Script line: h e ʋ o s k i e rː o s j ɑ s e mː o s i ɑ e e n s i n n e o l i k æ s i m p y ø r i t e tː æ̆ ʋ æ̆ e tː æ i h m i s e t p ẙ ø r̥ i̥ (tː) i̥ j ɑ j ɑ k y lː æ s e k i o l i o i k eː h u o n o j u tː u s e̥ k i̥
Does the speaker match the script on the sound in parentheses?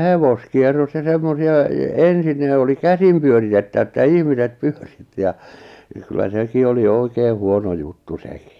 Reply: yes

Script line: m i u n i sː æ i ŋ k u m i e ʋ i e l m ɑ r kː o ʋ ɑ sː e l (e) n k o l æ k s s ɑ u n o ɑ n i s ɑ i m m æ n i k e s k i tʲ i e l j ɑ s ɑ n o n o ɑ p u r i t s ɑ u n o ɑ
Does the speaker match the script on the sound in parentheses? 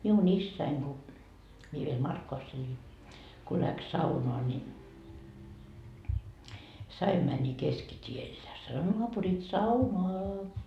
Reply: no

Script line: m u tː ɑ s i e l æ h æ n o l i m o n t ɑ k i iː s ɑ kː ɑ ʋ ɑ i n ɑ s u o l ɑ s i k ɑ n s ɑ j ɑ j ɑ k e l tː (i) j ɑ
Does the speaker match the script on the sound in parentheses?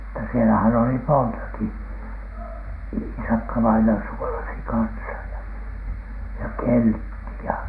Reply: yes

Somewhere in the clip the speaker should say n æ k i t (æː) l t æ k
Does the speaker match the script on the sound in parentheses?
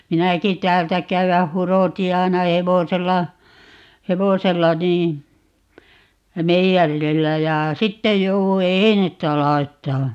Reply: yes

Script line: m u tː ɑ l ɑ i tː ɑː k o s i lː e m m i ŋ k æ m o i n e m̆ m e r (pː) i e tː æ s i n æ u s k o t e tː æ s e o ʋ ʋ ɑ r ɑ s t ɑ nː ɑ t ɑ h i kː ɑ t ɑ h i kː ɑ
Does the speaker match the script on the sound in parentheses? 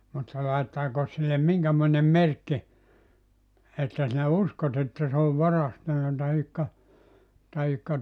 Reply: no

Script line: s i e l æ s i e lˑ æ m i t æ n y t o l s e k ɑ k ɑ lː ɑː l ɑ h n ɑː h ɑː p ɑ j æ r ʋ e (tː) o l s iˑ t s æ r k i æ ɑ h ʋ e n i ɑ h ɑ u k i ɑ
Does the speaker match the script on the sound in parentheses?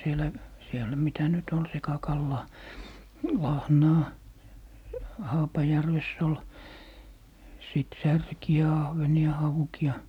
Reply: no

